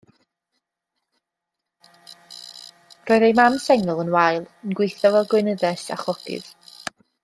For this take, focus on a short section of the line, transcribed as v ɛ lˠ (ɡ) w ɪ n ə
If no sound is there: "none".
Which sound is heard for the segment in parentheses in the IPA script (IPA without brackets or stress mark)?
ɡ